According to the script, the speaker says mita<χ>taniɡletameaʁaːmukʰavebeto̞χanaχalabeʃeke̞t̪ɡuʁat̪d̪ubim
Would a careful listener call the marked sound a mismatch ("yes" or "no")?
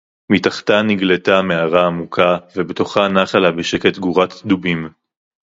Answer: no